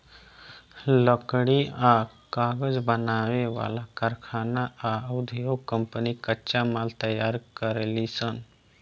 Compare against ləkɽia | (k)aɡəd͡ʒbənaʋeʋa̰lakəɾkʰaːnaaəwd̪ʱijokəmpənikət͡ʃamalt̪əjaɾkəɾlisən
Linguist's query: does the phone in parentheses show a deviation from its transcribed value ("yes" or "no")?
no